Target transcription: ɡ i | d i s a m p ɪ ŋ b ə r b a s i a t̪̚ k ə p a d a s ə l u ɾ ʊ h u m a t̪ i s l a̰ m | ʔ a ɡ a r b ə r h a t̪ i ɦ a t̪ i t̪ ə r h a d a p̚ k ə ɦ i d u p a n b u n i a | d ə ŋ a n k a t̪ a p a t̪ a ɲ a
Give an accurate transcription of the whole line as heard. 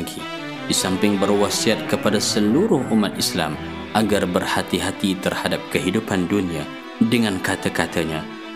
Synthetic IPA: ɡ i | d i s a m p ɪ ŋ b ə r w a s i a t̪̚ k ə p a d a s ə l u ɾ ʊ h u m a t̪ i s l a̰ m | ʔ a ɡ a r b ə r h a t̪ i ɦ a t̪ i t̪ ə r h a d a p̚ k ə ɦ i d u p a n d u n i a | d ə ŋ a n k a t̪ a k a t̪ a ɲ a